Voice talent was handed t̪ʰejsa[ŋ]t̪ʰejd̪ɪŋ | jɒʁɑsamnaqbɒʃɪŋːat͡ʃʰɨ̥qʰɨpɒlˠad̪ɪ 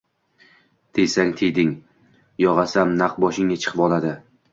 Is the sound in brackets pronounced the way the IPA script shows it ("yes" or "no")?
yes